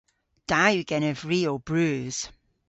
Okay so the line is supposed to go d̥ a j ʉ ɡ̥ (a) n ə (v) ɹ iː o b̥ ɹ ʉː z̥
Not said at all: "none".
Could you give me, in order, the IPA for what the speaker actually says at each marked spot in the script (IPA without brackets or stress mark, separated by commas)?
ɛ, v